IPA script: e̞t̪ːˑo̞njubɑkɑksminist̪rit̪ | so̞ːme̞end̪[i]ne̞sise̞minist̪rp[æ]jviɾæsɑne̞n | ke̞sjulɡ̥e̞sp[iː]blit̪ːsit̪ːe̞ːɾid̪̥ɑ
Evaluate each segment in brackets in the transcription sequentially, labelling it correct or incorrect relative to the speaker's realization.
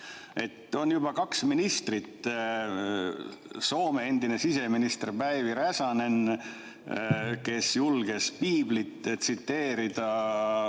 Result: correct, correct, correct

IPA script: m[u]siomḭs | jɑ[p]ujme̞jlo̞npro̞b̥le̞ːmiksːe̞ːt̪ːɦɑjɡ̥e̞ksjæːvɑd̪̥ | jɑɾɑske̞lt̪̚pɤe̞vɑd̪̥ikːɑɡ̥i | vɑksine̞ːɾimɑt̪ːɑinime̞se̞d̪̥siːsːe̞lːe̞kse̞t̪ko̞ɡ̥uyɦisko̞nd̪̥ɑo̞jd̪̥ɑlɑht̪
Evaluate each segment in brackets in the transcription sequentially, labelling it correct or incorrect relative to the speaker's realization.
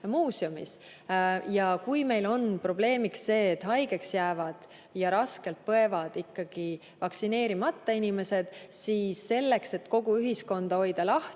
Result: incorrect: uː, incorrect: k

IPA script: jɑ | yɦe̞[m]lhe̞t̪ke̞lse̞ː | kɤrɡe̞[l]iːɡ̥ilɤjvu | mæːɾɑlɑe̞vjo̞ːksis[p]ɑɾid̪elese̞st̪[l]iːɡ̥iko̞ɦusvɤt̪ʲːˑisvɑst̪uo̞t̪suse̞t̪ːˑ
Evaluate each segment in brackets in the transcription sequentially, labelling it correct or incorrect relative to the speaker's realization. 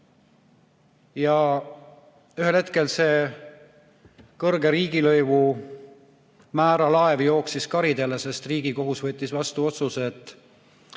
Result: incorrect: none, incorrect: ɾ, incorrect: k, incorrect: r

